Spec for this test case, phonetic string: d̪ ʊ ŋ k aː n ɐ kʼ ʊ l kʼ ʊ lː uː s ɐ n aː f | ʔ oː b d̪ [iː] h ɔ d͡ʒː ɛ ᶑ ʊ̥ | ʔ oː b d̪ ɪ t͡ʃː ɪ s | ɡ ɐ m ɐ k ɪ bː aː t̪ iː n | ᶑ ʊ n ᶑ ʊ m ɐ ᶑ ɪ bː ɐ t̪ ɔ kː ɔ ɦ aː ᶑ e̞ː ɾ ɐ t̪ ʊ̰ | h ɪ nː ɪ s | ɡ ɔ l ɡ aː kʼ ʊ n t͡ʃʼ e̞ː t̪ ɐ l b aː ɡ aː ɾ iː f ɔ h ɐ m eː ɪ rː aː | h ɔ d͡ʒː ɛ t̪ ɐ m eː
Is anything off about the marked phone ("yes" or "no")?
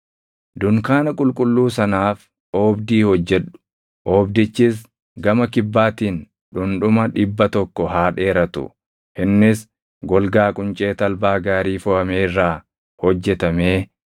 no